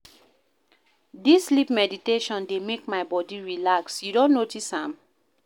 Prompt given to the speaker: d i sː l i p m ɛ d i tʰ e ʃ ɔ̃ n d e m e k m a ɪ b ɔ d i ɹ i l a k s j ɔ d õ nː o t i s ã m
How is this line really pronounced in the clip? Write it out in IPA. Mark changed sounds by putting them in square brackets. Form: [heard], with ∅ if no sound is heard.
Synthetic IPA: d i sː l i p m ɛ d i [t] e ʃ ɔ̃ n d e m e k m a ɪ b ɔ d i ɹ i l a k s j [u] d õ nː o t i s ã m